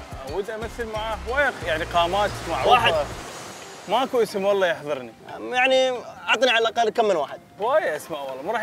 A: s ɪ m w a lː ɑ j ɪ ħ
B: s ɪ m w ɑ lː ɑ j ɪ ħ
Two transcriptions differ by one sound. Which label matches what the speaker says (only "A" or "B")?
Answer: B